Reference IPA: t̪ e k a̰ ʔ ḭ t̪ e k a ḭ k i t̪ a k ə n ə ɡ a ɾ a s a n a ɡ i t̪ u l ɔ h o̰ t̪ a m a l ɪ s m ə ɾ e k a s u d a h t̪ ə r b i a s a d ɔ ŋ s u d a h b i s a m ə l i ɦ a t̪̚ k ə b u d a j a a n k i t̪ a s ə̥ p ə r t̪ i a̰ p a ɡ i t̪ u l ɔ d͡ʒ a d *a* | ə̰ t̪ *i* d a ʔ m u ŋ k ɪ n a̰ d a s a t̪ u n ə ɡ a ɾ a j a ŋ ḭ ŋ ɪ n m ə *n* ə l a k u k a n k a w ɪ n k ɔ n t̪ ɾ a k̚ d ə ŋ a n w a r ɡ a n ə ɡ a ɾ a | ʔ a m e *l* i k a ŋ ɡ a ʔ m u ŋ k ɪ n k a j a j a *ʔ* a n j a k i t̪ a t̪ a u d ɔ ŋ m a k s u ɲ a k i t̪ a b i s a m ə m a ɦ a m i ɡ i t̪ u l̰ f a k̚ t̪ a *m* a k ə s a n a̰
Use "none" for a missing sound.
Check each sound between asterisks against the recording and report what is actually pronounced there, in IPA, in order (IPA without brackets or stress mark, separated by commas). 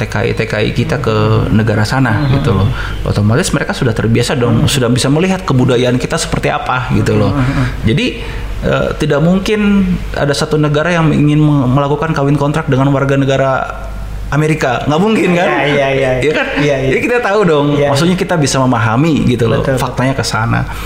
i, i, m, ɾ, k, ɲ